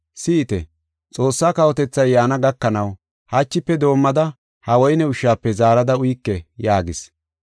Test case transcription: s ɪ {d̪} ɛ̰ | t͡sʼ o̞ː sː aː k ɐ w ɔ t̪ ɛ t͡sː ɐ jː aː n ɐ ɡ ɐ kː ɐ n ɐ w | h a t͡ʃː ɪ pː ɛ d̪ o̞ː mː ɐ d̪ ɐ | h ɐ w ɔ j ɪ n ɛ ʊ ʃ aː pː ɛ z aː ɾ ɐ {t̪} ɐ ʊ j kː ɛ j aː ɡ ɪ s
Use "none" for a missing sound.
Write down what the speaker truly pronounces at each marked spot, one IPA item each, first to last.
t̪, d̪

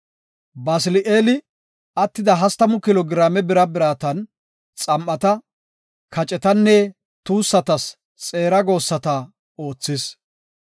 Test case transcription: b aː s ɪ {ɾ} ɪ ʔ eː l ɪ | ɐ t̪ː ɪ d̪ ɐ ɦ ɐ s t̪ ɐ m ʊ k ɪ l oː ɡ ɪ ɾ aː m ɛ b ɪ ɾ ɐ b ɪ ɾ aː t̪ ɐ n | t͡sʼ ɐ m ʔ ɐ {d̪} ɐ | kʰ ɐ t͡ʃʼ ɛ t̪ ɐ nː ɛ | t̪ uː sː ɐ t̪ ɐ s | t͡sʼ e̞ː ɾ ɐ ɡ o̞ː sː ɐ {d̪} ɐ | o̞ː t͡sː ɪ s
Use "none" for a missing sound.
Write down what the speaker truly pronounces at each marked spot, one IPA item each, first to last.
l, t̪, t̪

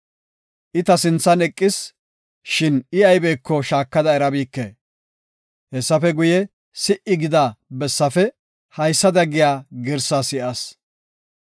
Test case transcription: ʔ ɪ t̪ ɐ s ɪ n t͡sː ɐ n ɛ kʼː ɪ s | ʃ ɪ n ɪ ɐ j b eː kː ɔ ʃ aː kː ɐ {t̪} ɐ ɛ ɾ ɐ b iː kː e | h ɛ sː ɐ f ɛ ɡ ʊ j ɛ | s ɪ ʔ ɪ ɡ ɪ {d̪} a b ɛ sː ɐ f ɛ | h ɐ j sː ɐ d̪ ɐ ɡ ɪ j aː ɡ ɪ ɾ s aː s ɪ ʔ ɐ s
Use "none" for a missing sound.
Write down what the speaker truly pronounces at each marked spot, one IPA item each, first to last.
d̪, d̪

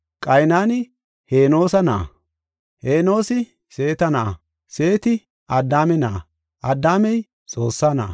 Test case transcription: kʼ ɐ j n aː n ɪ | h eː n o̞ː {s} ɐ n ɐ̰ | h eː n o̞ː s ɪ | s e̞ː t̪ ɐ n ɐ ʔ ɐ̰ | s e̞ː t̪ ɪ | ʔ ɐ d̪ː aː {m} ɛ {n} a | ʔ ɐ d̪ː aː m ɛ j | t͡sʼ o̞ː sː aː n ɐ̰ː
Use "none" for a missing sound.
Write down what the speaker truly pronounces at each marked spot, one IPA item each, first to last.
s, m, n

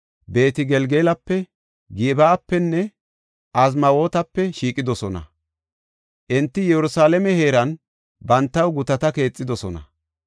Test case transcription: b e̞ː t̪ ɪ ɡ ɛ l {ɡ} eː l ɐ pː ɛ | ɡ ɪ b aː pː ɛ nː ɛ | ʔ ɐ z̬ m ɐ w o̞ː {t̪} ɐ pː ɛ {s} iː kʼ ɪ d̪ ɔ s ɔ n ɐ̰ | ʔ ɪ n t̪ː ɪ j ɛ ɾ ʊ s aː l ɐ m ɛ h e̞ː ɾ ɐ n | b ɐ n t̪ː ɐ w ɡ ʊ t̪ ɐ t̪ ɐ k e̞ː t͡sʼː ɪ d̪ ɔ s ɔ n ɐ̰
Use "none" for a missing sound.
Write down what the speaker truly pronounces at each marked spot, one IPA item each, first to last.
ɡ, t̪, ʃ

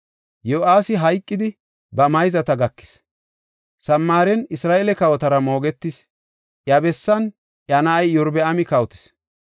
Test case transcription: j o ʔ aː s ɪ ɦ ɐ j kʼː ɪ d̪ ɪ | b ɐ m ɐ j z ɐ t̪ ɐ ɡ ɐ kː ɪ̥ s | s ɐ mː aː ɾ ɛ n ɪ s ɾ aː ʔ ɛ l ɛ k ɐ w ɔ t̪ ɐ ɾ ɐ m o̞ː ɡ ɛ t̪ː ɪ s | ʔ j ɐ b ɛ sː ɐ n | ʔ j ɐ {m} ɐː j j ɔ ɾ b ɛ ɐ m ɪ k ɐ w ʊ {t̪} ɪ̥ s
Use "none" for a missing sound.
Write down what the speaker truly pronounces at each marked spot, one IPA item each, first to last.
n, t̪

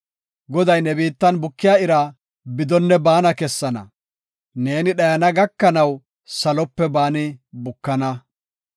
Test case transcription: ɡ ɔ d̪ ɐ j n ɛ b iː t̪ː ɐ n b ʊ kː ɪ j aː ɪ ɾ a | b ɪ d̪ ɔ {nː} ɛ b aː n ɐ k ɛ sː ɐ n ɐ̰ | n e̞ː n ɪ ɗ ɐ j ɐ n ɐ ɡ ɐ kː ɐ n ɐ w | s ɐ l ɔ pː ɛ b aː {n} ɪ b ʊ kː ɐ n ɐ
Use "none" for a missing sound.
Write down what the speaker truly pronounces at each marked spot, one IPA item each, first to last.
nː, n

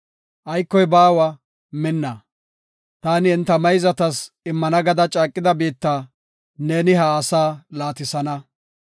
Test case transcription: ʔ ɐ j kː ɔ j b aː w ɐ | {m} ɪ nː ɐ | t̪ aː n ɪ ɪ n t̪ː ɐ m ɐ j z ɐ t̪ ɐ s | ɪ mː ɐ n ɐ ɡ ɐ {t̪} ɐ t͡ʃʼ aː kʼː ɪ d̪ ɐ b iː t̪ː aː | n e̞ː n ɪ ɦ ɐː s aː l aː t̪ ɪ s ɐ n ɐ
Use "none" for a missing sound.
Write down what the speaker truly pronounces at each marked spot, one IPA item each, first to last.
m, d̪

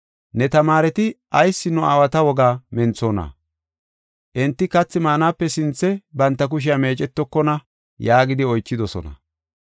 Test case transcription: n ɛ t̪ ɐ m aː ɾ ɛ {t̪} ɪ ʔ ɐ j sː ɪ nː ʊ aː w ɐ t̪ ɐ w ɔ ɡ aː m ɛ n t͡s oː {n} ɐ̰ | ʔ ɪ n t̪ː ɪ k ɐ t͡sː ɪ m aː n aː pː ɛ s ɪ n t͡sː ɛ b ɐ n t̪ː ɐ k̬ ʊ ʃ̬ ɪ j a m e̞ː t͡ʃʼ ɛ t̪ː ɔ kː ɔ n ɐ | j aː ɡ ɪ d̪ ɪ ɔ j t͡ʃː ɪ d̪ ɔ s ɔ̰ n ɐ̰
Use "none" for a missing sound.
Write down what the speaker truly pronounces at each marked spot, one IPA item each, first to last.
t̪, n

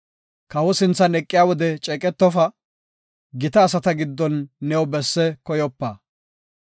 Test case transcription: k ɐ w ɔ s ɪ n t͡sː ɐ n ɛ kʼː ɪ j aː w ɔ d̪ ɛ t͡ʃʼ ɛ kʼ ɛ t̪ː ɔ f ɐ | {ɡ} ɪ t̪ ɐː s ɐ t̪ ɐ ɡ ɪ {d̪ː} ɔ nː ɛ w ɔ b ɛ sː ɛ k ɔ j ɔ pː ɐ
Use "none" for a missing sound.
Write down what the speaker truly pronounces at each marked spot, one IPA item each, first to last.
ɡ, d̪ː

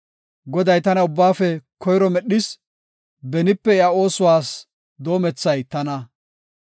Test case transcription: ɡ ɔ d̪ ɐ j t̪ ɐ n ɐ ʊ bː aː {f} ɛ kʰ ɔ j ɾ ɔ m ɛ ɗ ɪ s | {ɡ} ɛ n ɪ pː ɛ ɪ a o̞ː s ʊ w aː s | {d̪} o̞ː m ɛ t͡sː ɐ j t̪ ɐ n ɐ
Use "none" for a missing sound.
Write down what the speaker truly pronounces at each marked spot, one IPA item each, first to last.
f, b, d̪

